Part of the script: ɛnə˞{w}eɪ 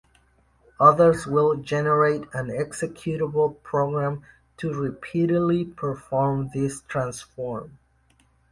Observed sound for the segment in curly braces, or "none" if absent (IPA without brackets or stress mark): none